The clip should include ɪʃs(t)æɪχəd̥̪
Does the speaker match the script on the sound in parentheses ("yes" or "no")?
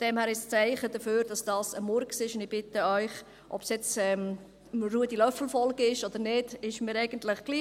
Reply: no